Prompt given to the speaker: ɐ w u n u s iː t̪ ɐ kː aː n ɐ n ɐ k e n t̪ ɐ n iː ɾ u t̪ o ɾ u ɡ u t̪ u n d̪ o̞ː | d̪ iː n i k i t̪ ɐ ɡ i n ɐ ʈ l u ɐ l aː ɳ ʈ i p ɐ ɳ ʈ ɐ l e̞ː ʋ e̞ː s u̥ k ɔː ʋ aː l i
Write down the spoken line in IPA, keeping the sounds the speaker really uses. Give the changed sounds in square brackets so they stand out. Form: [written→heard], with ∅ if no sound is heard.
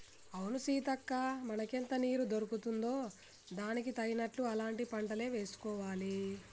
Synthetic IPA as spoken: ɐ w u n u s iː t̪ ɐ kː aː [n→m] ɐ n ɐ k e n t̪ ɐ n iː ɾ u [t̪→d̪] o ɾ u [ɡ→k] u t̪ u n d̪ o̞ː | d̪ [iː→aː] n i k i t̪ ɐ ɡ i n ɐ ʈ l u ɐ l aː ɳ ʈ i p ɐ ɳ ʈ ɐ l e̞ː ʋ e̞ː s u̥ k ɔː ʋ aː l i